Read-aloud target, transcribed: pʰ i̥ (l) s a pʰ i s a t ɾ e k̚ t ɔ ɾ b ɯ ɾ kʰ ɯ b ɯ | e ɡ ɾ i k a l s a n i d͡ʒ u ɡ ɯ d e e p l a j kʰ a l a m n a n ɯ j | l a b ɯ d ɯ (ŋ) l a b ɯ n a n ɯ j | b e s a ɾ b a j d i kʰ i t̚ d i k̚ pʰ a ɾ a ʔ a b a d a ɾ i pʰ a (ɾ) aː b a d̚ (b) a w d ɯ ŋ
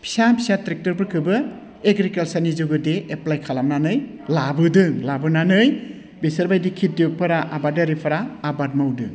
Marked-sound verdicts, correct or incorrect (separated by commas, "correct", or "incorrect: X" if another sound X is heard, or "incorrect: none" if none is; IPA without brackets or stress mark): incorrect: none, correct, correct, incorrect: m